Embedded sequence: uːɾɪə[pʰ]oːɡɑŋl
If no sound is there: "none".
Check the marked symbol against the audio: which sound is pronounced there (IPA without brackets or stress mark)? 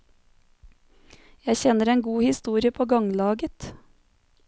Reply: pʰ